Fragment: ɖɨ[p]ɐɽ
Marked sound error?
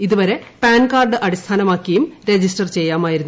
yes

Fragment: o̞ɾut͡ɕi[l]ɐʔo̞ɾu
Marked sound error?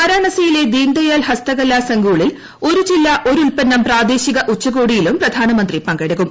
yes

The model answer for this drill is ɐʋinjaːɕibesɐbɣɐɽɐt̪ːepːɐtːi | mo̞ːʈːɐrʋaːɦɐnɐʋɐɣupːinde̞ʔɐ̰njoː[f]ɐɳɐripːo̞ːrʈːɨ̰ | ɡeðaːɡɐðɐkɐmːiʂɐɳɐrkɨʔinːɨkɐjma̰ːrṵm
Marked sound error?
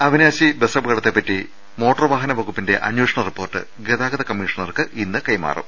yes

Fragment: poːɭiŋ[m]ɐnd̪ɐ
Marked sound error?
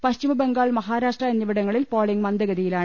no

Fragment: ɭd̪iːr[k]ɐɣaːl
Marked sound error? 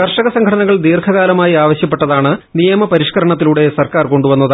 yes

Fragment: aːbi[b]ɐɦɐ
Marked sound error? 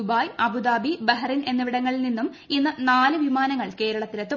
no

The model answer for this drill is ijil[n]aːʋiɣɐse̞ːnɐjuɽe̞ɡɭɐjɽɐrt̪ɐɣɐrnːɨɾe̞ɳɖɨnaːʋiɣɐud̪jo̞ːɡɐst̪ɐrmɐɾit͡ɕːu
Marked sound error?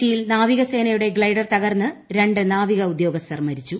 no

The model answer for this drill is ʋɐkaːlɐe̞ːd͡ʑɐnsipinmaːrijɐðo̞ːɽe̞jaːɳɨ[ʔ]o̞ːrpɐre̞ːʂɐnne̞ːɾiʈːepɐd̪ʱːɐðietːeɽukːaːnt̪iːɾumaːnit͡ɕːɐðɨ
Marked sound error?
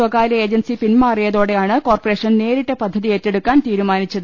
yes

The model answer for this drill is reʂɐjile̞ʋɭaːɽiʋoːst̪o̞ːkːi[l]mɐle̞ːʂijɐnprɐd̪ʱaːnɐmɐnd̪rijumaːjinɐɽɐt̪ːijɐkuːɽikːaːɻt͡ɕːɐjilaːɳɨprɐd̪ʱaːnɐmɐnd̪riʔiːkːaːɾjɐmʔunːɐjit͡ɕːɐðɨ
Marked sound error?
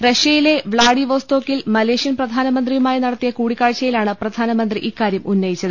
no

